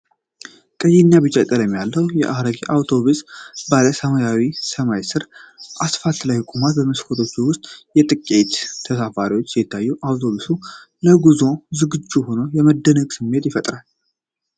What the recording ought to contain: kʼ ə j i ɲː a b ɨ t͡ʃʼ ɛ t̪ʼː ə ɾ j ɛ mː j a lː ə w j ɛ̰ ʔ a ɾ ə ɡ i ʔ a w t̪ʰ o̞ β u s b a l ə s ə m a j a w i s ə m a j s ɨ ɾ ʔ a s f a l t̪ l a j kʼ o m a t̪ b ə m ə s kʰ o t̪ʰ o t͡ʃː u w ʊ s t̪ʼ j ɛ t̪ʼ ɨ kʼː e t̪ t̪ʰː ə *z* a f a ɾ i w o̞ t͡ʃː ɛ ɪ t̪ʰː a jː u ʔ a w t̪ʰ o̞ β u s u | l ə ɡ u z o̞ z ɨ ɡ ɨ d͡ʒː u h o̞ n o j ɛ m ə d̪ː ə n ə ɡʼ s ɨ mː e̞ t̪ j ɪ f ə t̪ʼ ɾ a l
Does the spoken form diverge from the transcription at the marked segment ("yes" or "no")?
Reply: yes